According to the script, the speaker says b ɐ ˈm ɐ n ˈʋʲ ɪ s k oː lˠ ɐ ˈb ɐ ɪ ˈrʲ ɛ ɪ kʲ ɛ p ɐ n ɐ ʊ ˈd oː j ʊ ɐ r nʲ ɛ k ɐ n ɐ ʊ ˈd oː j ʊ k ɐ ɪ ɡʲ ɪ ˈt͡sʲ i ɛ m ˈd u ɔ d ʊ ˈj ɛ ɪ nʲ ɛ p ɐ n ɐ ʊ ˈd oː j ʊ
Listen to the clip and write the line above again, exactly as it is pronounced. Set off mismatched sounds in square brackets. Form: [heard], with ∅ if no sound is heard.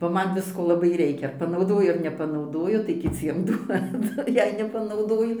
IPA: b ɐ ˈm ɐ n ˈʋʲ ɪ s k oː lˠ ɐ ˈb ɐ ɪ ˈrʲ ɛ ɪ kʲ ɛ p ɐ n ɐ ʊ ˈd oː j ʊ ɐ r nʲ ɛ [p] ɐ n ɐ ʊ ˈd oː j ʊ [t] ɐ ɪ [kʲ] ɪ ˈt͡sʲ i ɛ m ˈd u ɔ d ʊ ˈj ɛ ɪ nʲ ɛ p ɐ n ɐ ʊ ˈd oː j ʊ